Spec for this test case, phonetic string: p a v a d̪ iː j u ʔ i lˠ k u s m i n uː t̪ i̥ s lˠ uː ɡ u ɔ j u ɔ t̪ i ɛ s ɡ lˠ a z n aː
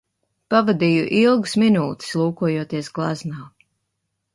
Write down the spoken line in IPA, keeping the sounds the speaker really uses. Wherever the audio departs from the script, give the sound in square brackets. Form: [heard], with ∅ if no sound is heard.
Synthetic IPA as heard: p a v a d̪ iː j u ʔ i lˠ [ɡ] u s m i n uː t̪ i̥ s lˠ uː [k] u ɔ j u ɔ t̪ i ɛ s ɡ lˠ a z n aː